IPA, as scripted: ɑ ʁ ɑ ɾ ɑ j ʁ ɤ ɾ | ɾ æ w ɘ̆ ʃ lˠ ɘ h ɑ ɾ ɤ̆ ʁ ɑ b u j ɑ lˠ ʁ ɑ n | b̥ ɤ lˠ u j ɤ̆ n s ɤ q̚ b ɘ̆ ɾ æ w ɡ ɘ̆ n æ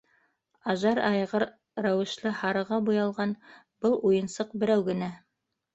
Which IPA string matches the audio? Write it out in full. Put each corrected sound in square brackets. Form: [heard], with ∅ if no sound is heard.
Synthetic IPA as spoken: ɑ [ʒ] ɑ ɾ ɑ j ʁ ɤ ɾ | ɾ æ w ɘ̆ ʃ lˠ ɘ h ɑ ɾ ɤ̆ ʁ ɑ b u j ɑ lˠ ʁ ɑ n | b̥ ɤ lˠ u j ɤ̆ n s ɤ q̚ b ɘ̆ ɾ æ w ɡ ɘ̆ n æ